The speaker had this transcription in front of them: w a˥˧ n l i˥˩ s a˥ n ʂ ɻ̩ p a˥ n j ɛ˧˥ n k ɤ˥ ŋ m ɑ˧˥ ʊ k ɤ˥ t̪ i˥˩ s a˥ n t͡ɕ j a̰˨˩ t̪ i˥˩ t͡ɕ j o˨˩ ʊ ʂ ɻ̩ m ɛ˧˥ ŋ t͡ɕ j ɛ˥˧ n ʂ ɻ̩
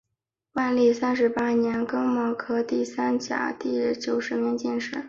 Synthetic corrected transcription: w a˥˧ n l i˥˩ s a˥ n ʂ ɻ̩ p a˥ n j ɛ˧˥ n k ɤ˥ ŋ m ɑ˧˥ ʊ kʰ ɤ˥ t̪ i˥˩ s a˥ n t͡ɕ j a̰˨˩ t̪ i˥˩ t͡ɕ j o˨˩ ʊ ʂ ɻ̩ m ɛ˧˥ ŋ t͡ɕ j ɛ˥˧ n ʂ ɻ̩